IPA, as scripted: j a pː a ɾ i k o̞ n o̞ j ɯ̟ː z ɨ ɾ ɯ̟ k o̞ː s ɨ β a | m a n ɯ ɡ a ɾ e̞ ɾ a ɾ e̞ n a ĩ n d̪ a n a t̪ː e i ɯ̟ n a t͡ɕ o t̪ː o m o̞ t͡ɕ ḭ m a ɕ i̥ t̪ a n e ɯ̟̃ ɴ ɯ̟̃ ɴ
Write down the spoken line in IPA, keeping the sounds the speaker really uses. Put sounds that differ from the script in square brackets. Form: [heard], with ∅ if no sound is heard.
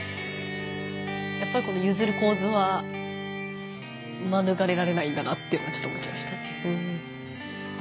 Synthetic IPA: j a pː a ɾ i k o̞ n o̞ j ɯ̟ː z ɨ ɾ ɯ̟ k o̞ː [z] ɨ β a | m a n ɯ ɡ a ɾ e̞ ɾ a ɾ e̞ n a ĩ n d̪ a n a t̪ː e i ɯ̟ n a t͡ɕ o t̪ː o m o̞ t͡ɕ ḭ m a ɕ i̥ t̪ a n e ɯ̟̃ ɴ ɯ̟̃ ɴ